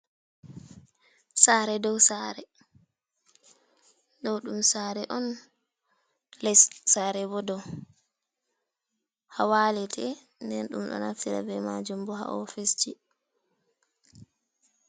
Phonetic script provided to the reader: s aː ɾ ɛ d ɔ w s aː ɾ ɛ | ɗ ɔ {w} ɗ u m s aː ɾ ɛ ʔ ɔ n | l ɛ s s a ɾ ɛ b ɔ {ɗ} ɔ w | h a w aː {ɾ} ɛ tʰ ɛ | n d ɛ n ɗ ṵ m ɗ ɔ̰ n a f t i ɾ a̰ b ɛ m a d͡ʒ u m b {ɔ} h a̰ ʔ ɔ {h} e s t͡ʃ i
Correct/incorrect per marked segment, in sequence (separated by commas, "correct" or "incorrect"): correct, incorrect, incorrect, correct, incorrect